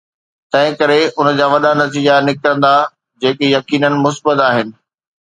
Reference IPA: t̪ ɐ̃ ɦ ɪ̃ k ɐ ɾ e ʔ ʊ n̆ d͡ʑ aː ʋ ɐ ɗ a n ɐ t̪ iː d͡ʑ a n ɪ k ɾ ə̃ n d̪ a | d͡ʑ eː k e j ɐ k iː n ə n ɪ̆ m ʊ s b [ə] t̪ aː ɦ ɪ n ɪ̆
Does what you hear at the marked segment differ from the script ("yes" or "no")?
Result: no